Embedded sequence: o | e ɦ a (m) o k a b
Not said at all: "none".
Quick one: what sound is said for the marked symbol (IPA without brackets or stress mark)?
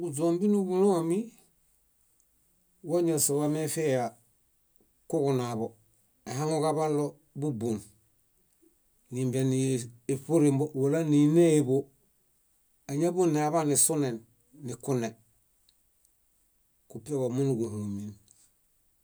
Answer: ŋ